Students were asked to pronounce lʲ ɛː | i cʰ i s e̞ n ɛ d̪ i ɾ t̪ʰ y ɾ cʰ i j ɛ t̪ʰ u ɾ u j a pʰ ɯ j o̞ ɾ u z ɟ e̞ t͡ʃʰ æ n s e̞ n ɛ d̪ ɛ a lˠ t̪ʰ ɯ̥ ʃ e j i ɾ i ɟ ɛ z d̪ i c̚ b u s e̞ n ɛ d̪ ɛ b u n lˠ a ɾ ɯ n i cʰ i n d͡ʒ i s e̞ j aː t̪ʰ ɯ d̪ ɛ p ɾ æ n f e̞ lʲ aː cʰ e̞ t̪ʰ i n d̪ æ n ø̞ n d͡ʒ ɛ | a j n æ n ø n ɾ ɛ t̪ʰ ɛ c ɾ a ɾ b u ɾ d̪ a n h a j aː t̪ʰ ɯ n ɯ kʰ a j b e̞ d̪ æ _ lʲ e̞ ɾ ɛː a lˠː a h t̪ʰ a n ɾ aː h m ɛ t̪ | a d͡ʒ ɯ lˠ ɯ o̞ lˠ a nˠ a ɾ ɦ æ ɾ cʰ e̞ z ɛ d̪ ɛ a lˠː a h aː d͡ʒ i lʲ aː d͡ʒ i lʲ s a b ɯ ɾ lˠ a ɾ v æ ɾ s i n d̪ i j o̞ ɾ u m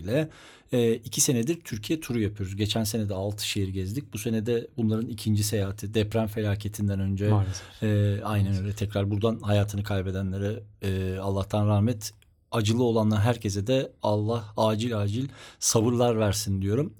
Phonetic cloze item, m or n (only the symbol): n